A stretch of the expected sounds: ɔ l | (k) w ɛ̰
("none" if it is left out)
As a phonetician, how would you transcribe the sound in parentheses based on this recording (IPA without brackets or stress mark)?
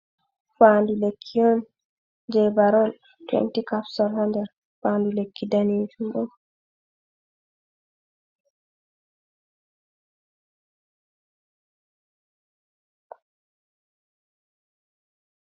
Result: t